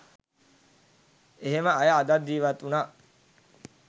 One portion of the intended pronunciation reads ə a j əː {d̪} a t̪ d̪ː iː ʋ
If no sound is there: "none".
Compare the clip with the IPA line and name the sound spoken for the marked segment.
d̪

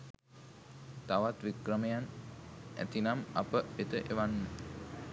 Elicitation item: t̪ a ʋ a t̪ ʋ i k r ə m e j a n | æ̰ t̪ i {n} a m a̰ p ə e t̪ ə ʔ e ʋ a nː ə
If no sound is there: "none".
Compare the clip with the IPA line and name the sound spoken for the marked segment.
n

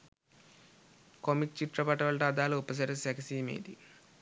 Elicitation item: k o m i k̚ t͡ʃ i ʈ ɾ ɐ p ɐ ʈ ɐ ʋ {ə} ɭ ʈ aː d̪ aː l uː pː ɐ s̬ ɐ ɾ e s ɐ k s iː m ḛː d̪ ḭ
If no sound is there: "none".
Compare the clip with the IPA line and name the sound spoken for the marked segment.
ɐ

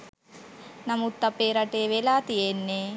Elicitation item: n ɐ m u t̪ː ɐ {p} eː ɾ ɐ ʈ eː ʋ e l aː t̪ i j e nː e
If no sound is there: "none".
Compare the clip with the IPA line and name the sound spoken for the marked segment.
p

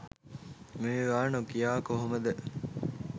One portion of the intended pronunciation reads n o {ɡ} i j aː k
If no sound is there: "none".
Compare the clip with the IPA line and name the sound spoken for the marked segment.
k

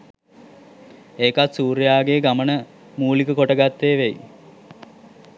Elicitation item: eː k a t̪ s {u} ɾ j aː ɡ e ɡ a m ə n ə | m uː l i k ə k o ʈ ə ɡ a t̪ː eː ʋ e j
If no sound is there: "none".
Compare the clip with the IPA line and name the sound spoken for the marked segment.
uː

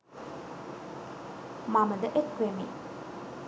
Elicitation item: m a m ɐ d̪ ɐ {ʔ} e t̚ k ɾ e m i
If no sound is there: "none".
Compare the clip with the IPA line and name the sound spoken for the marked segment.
ʔ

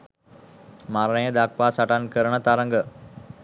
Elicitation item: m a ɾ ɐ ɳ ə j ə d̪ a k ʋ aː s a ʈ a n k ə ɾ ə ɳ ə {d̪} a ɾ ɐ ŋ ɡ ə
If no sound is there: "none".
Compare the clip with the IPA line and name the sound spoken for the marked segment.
t̪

